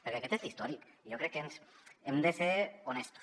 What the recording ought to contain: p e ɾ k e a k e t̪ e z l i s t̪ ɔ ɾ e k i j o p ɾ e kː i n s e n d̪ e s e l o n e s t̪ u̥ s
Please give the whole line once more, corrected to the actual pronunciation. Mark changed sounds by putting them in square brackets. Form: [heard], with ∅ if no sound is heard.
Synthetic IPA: p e ɾ k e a k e t̪ e z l i s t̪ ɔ ɾ [i] k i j o [k] ɾ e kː [e] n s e [m] d̪ e s e [ɾ] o n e s t̪ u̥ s